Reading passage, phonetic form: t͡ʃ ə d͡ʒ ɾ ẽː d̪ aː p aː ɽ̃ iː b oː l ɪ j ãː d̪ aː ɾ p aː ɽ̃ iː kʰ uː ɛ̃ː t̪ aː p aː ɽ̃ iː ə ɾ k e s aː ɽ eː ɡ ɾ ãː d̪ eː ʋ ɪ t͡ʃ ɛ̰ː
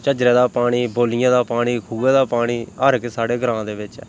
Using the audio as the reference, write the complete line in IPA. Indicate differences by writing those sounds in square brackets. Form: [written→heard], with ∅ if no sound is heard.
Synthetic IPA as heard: t͡ʃ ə d͡ʒ ɾ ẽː d̪ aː p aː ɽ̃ iː b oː l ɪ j ãː d̪ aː [ɾ→∅] p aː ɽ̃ iː kʰ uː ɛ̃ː [t̪→d̪] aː p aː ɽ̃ iː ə ɾ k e s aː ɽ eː ɡ ɾ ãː d̪ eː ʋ ɪ t͡ʃ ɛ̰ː